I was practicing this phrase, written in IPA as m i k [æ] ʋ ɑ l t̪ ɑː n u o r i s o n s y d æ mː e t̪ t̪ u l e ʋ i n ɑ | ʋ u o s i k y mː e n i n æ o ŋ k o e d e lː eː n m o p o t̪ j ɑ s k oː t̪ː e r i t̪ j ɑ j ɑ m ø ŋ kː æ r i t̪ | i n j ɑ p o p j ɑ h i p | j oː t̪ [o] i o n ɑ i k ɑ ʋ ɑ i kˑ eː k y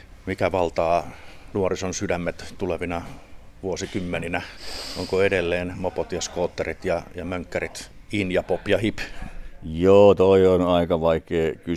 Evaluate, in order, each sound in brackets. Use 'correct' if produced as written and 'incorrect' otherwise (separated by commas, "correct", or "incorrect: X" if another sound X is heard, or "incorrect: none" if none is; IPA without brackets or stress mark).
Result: correct, correct